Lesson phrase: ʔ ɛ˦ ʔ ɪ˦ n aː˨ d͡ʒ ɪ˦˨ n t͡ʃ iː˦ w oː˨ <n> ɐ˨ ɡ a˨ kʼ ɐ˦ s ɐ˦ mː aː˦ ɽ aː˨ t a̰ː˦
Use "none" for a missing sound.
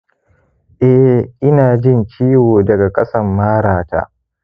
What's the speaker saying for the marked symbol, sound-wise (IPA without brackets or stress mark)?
d